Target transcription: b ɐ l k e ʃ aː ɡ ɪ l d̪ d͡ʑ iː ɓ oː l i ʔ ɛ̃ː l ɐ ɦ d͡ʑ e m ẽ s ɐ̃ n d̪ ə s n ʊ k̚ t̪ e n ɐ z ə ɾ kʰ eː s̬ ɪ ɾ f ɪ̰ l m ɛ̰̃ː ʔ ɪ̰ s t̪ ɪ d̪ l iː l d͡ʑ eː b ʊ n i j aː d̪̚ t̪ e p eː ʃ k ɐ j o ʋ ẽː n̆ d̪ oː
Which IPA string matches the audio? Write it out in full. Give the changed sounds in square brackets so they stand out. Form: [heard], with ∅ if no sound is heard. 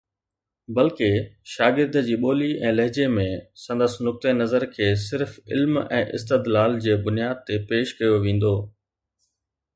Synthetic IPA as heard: b ɐ l k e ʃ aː ɡ ɪ [ɾ] d̪ d͡ʑ iː ɓ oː l i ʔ ɛ̃ː l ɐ ɦ d͡ʑ e m ẽ s ɐ̃ n d̪ ə s n ʊ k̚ t̪ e n ɐ z ə ɾ kʰ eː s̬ ɪ ɾ f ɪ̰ l m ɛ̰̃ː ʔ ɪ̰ s t̪ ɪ d̪ l [aː] l d͡ʑ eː b ʊ n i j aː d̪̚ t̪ e p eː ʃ k ɐ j o ʋ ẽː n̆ d̪ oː